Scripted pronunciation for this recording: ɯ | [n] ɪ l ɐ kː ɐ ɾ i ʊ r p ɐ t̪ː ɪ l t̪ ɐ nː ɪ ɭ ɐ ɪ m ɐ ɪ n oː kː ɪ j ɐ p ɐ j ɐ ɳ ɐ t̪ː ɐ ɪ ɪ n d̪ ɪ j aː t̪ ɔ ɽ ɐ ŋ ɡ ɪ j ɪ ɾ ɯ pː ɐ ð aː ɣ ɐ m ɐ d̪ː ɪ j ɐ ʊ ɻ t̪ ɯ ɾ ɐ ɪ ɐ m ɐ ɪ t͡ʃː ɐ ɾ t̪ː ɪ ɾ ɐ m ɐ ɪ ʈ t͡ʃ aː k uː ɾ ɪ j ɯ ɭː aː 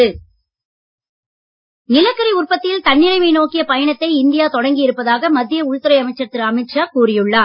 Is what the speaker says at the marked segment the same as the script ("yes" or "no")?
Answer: yes